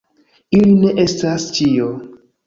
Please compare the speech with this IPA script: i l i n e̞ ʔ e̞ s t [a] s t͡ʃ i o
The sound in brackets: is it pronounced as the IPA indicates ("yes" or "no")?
yes